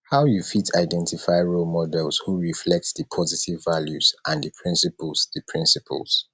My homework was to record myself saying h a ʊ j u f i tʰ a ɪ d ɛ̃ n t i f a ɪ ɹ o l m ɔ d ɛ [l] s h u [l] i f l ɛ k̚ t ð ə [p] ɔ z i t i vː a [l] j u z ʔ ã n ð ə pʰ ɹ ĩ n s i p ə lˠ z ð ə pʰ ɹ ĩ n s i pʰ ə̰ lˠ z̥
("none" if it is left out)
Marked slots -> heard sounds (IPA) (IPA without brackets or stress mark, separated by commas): l, ɹ, pʰ, l